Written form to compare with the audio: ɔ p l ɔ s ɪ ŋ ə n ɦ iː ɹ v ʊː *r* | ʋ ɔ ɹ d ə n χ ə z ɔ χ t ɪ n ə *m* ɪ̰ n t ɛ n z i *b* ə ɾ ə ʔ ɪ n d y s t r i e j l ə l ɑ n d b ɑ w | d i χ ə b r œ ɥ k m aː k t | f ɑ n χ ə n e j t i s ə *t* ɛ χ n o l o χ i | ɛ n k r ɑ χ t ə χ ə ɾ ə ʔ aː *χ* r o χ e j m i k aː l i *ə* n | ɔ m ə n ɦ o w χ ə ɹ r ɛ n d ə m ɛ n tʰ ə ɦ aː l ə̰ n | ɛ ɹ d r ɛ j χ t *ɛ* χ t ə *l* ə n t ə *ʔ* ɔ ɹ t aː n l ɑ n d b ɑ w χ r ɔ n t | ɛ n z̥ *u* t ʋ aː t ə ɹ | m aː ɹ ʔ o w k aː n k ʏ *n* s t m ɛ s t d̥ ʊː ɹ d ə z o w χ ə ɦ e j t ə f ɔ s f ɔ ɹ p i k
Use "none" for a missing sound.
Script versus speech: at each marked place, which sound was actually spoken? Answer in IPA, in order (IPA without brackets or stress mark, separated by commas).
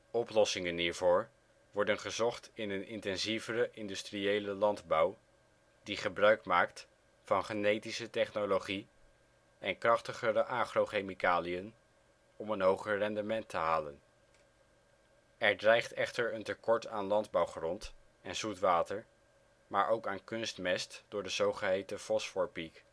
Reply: ɹ, n, v, t, χ, ə, ɛ, ɹ, k, u, n